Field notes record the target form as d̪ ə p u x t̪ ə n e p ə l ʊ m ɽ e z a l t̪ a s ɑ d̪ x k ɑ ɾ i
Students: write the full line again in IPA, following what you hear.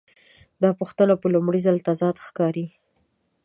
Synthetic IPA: d̪ ɑ p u x t̪ ə n a p ə l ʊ m ɽ i z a l t̪ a z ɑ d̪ x k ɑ ɾ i